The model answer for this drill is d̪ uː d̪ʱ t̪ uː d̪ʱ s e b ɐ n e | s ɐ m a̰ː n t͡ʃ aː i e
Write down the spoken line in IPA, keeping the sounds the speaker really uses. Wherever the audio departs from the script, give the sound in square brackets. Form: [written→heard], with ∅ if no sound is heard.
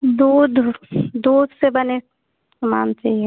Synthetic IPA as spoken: d̪ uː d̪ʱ [t̪→d̪] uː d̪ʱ s e b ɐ n e | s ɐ m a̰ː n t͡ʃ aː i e